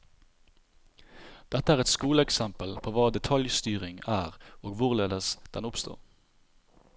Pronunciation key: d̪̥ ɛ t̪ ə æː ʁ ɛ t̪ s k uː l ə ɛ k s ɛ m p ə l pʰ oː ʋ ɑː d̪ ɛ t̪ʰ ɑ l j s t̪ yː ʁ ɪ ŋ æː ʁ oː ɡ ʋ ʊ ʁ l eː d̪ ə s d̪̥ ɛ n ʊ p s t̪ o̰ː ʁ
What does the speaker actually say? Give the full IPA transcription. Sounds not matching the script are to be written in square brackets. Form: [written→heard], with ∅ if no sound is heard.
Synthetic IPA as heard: d̪̥ ɛ t̪ ə æː ʁ ɛ t̪ s k uː l ə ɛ k s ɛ m p ə l pʰ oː ʋ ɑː d̪ ɛ t̪ʰ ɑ l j s t̪ yː ʁ ɪ ŋ æː ʁ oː ɡ ʋ ʊ ʁ l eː d̪ ə s d̪̥ ɛ n ʊ p s t̪ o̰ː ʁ